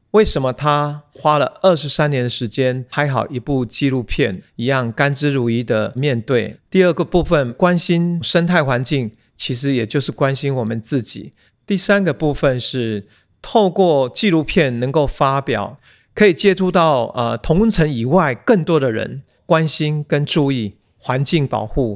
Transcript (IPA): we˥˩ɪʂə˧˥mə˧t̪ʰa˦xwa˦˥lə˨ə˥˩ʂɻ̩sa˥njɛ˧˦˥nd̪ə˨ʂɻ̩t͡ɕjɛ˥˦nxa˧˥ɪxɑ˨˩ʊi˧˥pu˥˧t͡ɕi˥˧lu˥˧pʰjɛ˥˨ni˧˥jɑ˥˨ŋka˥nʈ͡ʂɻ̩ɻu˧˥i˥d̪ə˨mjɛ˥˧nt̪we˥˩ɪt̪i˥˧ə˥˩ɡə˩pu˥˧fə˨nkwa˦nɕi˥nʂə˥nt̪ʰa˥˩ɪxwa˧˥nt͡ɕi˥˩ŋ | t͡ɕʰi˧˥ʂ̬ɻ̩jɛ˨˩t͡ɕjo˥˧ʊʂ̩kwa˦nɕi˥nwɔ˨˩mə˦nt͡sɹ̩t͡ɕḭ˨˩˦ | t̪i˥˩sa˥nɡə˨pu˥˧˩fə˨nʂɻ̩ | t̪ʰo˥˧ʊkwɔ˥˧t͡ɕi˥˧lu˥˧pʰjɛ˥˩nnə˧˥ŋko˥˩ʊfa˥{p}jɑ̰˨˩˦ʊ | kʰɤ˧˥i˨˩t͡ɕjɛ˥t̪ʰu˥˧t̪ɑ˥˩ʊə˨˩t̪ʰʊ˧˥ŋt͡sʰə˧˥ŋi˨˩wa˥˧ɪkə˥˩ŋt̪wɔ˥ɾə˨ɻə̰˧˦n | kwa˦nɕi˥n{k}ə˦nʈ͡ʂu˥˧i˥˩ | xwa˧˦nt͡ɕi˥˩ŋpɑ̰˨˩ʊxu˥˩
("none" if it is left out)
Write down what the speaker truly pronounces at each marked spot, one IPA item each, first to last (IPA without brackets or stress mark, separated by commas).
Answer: p, k